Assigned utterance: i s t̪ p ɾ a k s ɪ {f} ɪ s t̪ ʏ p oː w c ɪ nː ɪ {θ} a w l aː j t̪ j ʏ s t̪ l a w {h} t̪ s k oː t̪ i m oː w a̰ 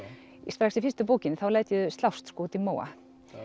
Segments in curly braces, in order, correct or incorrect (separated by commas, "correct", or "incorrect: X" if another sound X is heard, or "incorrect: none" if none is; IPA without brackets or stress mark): correct, correct, incorrect: s